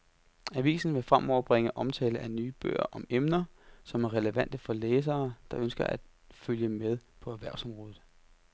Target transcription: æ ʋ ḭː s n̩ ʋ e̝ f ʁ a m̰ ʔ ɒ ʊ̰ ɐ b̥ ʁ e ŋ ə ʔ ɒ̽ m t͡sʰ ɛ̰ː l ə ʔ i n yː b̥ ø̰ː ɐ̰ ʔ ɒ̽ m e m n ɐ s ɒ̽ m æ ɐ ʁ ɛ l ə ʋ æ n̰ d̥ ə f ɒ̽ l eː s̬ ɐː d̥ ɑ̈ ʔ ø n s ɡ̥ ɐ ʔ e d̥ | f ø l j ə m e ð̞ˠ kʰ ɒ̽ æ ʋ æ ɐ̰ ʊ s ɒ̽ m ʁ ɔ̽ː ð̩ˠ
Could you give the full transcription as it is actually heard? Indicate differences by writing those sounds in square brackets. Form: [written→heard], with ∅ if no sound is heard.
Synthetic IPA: æ ʋ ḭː s n̩ ʋ e̝ f ʁ a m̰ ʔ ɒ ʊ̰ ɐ b̥ ʁ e ŋ ə ʔ ɒ̽ m t͡sʰ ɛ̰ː l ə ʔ [i→æ] n yː b̥ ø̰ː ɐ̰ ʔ ɒ̽ m e m n ɐ s ɒ̽ m æ ɐ ʁ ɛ l ə ʋ æ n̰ d̥ ə f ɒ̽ l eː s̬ ɐː d̥ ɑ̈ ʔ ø n s ɡ̥ ɐ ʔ [e→æ] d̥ | f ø l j ə m e ð̞ˠ [kʰ→pʰ] ɒ̽ æ ʋ æ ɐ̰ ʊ s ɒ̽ m ʁ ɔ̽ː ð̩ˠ